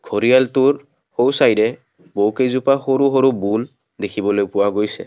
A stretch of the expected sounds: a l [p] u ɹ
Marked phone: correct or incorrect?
incorrect